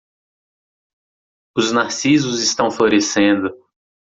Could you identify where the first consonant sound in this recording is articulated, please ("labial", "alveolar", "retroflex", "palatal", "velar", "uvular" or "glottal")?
alveolar